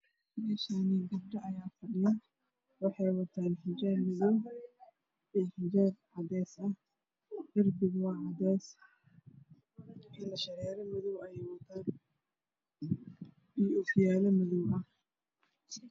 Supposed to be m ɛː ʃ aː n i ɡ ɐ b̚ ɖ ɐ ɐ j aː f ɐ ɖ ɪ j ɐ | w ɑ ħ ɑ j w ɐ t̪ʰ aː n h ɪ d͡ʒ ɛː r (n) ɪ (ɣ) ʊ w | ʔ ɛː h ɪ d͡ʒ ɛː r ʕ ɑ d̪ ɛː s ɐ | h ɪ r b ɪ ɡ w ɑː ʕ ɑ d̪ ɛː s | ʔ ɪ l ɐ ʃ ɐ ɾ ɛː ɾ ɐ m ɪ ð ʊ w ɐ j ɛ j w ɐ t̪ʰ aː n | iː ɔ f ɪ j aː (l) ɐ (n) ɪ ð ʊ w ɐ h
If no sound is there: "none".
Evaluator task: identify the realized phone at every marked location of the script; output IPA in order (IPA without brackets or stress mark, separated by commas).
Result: m, ð, l, m